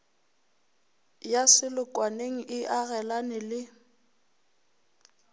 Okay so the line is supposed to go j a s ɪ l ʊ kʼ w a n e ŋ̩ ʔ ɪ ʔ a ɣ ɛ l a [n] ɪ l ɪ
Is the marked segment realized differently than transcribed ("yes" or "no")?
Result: no